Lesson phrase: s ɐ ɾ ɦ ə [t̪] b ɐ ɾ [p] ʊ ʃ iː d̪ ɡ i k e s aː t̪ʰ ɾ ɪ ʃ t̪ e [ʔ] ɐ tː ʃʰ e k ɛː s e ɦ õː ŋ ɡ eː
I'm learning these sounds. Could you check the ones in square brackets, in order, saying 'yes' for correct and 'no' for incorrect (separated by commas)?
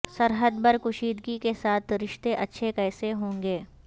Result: no, no, yes